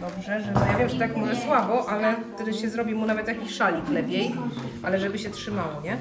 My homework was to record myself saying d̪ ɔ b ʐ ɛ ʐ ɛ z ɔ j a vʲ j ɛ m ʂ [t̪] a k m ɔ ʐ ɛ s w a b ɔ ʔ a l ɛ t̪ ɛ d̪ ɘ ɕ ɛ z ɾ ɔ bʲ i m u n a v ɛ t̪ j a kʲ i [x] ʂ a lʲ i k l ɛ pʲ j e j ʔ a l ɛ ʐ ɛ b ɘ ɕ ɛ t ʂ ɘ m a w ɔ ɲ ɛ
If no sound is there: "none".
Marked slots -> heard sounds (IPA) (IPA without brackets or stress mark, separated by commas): t̪, ɕ